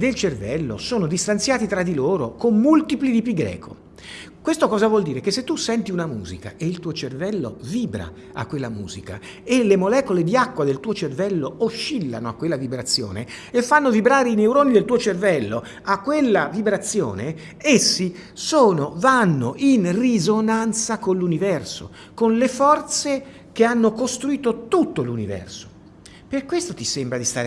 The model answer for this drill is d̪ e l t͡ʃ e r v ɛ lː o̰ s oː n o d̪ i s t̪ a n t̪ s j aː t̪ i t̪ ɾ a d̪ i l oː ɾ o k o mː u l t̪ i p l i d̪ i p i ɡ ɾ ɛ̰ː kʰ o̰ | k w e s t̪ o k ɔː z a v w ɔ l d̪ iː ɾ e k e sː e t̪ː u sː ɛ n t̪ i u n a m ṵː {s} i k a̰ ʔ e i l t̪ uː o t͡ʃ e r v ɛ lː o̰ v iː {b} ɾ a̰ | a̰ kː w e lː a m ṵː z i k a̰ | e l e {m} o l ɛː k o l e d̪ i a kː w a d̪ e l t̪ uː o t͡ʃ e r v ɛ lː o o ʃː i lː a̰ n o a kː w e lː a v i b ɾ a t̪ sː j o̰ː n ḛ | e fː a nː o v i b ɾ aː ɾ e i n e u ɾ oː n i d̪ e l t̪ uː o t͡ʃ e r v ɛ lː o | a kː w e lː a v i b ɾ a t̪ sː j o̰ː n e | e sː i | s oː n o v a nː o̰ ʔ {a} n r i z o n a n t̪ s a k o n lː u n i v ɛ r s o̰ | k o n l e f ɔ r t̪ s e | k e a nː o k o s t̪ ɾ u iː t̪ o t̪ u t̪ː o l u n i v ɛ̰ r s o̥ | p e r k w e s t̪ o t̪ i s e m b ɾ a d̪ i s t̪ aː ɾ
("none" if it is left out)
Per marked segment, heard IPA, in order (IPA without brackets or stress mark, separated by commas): z, b, m, i